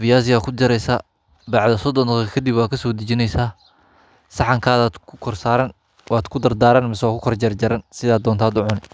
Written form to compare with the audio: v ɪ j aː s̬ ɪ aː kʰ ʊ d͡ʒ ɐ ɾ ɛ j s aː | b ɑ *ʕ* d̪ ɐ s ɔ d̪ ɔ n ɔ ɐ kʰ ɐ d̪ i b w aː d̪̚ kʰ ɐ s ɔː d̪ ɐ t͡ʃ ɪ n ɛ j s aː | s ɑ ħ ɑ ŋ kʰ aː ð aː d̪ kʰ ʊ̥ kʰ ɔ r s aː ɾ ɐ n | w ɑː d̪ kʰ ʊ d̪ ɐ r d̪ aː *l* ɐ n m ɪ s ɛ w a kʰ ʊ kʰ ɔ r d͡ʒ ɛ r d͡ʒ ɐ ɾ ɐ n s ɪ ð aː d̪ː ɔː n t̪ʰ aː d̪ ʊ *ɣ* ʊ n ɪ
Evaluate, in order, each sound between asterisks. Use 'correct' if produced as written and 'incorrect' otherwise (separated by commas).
correct, incorrect, incorrect